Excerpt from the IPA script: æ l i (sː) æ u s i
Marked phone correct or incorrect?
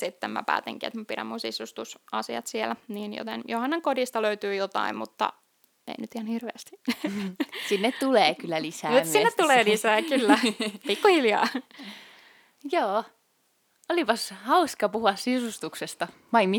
incorrect